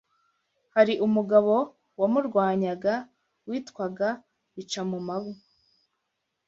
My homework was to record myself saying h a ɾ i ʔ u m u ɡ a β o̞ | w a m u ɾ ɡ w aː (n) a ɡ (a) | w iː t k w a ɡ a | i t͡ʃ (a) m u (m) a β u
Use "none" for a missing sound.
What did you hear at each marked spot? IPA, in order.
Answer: ɲ, a, a, m

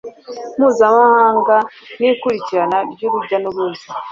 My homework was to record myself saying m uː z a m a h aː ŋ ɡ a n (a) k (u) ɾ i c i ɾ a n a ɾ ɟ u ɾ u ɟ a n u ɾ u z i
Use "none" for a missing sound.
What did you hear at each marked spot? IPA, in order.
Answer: i, u

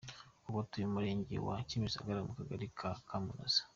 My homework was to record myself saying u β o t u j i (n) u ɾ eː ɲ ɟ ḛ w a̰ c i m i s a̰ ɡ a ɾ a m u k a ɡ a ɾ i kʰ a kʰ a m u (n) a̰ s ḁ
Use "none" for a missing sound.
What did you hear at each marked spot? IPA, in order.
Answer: m, n

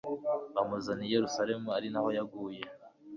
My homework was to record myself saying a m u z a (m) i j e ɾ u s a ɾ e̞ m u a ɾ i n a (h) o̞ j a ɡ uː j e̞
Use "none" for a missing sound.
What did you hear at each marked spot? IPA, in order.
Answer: n, h

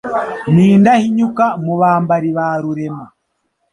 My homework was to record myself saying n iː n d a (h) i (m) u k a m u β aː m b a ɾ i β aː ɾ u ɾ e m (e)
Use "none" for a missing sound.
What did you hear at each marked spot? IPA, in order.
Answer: h, ɲ, a

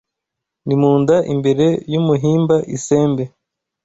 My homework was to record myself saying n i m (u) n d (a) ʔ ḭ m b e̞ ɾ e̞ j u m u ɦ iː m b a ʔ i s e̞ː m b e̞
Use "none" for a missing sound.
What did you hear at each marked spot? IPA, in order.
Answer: uː, a

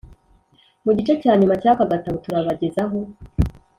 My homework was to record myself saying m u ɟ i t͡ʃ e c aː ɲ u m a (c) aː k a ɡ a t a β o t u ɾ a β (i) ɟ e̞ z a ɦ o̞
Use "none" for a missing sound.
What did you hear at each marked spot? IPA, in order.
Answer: c, a

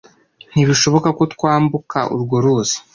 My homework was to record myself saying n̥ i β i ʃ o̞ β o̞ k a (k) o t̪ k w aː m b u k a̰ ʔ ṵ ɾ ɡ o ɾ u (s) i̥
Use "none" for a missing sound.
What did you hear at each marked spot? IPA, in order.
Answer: k, z

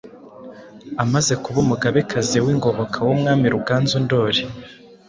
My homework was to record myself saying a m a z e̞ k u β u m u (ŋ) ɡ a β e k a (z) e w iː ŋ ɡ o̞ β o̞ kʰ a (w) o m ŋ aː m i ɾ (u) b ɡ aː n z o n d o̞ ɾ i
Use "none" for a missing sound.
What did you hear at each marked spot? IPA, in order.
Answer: none, z, w, u

